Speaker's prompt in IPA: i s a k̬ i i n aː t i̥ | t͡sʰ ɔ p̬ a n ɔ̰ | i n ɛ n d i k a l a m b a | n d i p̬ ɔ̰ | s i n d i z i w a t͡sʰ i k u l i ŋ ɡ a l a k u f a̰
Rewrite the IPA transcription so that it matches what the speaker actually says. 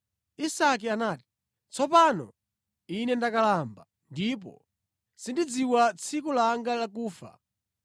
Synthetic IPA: i s a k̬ i a n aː t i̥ | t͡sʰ ɔ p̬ a n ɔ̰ | i n ɛ n d a k a l a m b a | n d i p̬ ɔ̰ | s i n d i d͡z i w a t͡sʰ i k u l a ŋ ɡ a l a k uː f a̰